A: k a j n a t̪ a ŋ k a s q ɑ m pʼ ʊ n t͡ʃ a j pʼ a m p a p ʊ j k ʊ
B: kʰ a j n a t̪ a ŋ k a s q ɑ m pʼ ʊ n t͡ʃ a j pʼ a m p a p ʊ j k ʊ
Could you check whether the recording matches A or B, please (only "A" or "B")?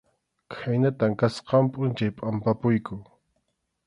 B